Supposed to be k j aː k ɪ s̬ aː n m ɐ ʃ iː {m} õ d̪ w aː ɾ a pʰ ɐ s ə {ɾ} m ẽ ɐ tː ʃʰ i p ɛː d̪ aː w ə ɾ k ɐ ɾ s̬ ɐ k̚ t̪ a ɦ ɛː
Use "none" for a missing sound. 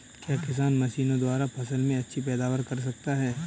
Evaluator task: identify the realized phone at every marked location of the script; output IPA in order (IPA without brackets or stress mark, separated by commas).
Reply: n, l